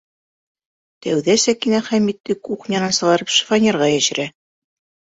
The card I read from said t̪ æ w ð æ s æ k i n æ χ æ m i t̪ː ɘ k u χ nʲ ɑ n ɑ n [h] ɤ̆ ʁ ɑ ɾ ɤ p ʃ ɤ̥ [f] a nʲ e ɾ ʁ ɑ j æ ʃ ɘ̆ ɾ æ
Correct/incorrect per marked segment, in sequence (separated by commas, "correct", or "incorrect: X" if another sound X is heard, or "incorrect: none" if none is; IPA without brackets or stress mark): incorrect: s, correct